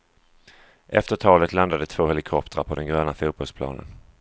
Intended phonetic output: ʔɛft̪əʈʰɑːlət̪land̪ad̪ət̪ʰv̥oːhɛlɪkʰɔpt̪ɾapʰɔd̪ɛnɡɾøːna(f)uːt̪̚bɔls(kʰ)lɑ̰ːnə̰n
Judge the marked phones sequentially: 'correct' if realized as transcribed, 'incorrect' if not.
correct, incorrect: pʰ

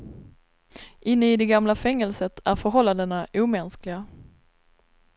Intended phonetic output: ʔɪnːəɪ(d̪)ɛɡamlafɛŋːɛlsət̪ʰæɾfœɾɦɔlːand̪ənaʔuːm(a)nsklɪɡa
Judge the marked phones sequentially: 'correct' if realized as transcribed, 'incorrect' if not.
correct, incorrect: ɛ

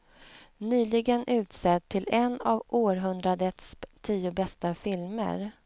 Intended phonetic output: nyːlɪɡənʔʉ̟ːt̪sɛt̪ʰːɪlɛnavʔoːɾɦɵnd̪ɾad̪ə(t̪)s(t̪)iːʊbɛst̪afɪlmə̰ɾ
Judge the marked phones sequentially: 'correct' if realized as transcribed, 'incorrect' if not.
correct, incorrect: t̪ʰ

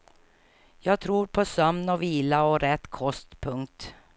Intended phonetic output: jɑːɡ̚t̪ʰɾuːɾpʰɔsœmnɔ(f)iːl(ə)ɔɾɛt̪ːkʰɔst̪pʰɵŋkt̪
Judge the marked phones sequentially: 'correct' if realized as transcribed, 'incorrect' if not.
incorrect: v, incorrect: a

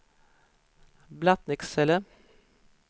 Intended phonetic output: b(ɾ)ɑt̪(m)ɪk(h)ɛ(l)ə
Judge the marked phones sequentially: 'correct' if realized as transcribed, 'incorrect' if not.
incorrect: l, incorrect: n, incorrect: s, correct

